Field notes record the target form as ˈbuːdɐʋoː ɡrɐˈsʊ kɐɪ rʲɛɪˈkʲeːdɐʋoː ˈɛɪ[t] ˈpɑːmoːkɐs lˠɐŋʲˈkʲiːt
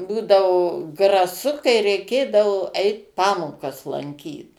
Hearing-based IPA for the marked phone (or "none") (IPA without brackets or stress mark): t